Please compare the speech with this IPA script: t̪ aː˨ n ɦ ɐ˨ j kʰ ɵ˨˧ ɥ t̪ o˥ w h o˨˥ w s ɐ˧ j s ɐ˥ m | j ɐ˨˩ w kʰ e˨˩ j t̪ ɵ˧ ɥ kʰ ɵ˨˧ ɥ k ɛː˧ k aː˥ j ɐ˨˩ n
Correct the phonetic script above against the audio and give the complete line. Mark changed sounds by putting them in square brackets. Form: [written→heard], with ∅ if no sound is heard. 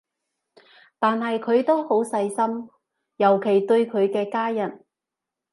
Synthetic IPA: t̪ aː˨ n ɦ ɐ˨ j kʰ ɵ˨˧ ɥ t̪ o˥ w h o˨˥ w s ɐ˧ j s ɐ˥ m | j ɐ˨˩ w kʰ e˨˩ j t̪ ɵ˧ ɥ kʰ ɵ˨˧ ɥ k ɛː˧ k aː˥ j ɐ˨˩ n